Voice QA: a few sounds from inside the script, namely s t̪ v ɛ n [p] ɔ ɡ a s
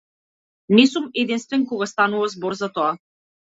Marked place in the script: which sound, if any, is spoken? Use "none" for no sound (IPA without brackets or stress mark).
k